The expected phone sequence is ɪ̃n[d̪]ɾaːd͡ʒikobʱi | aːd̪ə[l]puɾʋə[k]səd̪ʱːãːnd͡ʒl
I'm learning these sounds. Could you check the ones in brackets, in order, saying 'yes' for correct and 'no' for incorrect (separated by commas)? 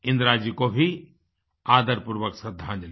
yes, no, yes